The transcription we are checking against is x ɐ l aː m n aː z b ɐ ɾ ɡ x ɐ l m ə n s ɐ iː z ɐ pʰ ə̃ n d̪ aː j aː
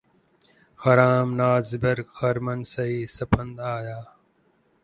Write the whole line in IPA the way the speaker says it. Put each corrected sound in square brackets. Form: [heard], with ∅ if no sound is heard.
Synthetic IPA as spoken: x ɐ [ɾ] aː m n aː z b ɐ ɾ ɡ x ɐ [ɾ] m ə n s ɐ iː [s] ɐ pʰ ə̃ n d̪ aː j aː

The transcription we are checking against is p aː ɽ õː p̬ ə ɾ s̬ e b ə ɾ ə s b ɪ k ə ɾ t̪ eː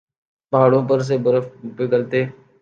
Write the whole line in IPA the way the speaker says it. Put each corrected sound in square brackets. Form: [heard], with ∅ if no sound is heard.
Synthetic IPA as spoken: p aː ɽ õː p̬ ə ɾ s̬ e b ə ɾ ə [f] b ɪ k ə [l] t̪ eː

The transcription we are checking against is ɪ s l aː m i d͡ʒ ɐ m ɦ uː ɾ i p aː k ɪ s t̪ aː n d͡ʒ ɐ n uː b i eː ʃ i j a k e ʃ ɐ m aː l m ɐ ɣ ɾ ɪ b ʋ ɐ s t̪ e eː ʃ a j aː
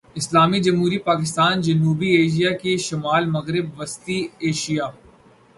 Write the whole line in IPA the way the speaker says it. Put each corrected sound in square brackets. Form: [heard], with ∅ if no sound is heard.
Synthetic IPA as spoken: ɪ s l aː m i d͡ʒ ɐ m ɦ uː ɾ i p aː k ɪ s t̪ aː n d͡ʒ ɐ n uː b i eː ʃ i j a k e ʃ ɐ m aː l m ɐ ɣ ɾ ɪ b ʋ ɐ s t̪ [i] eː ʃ [i] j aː

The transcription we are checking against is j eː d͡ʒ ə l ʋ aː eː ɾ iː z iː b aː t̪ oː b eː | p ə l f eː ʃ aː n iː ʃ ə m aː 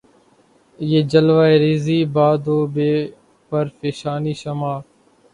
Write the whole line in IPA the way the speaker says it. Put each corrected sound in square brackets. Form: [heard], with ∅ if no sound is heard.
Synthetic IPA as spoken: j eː d͡ʒ ə l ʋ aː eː ɾ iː z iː b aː [d̪] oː b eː | p ə [ɾ] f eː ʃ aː n iː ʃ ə m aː

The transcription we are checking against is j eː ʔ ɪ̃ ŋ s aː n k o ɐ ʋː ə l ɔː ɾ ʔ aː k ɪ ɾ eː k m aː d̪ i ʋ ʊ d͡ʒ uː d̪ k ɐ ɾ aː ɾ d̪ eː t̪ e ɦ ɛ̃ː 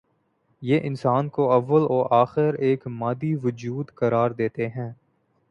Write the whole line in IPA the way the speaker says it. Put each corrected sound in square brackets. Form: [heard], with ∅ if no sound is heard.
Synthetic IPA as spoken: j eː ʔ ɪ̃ [n] s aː n k o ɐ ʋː ə l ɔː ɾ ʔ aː [x] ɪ ɾ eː k m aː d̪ i ʋ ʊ d͡ʒ uː d̪ k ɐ ɾ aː ɾ d̪ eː t̪ e ɦ ɛ̃ː

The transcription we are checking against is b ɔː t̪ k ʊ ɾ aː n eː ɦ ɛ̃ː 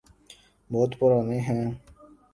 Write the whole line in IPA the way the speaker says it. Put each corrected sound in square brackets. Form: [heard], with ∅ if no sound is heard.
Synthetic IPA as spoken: b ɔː t̪ [p] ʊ ɾ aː n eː ɦ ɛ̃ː

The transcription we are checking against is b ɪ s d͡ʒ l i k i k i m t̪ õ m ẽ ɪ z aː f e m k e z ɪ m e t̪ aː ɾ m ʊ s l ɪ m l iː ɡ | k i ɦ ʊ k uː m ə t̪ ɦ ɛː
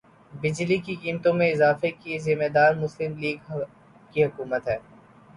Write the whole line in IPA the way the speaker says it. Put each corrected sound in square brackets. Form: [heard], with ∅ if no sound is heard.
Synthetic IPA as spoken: b ɪ [∅] d͡ʒ l i k i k [iː] m t̪ õ m ẽ ɪ z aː f e [∅] k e z ɪ m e [d̪] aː ɾ m ʊ s l ɪ m l iː ɡ | k i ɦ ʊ k uː m ə t̪ ɦ ɛː

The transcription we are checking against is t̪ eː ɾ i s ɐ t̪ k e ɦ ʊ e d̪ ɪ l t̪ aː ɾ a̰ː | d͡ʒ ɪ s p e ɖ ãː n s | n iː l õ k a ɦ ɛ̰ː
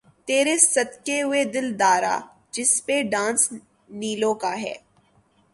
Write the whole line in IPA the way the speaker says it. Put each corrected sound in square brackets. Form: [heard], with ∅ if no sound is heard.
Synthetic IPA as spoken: t̪ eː ɾ [e] s ɐ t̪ k e ɦ ʊ e d̪ ɪ l [d̪] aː ɾ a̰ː | d͡ʒ ɪ s p e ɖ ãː n s | n iː l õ k a ɦ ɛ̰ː

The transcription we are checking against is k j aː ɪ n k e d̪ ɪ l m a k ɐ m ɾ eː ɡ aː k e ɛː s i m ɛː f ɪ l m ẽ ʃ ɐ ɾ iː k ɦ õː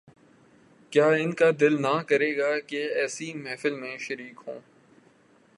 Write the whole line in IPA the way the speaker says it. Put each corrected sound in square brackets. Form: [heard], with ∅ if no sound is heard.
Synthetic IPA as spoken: k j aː ɪ n k [a] d̪ ɪ l [n] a k ɐ [∅] ɾ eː ɡ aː k e ɛː s i m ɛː f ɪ l m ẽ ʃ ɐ ɾ iː k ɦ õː

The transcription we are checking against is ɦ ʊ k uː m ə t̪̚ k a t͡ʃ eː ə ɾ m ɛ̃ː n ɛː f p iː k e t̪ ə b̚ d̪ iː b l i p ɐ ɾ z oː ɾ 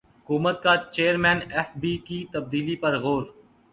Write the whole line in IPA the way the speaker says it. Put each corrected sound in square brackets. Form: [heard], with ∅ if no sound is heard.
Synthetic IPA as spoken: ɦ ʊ k uː m ə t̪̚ k a t͡ʃ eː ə ɾ m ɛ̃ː n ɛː f [b] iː k [i] t̪ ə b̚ d̪ iː [∅] l i p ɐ ɾ [ɣ] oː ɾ

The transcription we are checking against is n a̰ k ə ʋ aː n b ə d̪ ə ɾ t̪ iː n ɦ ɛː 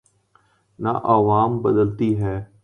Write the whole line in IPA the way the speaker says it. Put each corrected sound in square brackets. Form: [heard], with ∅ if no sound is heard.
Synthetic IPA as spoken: n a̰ [ʔ] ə ʋ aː [m] b ə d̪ ə [l] t̪ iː [∅] ɦ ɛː

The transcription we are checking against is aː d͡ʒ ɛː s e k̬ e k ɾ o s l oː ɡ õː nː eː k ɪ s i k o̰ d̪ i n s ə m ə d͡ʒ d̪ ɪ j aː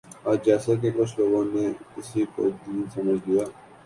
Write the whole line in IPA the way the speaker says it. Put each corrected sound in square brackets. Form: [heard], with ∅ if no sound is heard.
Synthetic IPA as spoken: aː d͡ʒ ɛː s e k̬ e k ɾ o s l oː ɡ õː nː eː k ɪ s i k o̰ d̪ [iː] n s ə m ə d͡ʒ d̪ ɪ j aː

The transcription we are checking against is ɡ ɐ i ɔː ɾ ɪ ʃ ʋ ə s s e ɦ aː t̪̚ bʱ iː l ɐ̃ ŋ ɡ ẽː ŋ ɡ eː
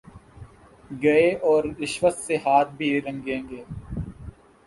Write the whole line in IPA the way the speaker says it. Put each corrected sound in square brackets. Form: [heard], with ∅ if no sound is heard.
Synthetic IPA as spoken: ɡ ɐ [e] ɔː ɾ ɪ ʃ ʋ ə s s e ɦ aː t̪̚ bʱ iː [ɾ] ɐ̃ ŋ ɡ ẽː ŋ ɡ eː

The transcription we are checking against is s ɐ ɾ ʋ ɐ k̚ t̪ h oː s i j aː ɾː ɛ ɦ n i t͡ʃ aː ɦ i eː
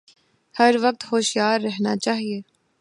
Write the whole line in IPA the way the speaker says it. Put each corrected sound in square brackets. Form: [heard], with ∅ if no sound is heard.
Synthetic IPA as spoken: [h] ɐ ɾ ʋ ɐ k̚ t̪ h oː [ʃ] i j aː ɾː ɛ ɦ n [a] t͡ʃ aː ɦ i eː

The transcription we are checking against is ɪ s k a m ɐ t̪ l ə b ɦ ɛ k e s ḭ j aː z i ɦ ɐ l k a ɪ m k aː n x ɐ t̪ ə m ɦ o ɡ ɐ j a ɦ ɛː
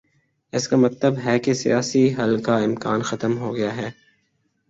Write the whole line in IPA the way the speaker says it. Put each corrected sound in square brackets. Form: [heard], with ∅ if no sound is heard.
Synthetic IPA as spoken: ɪ s k a m ɐ t̪ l ə b ɦ ɛ k e s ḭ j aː [s] i ɦ ɐ l k a ɪ m k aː n x ɐ t̪ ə m ɦ o ɡ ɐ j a ɦ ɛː

